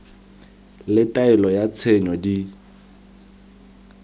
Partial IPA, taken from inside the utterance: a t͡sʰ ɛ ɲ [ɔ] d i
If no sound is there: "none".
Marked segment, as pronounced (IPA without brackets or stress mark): ɔ